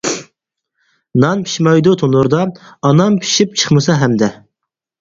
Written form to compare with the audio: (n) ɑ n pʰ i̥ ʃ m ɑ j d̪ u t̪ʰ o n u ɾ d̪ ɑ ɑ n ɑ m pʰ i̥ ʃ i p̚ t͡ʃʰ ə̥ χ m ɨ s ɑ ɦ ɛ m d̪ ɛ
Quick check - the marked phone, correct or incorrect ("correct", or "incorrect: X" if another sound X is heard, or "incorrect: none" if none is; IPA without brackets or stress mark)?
correct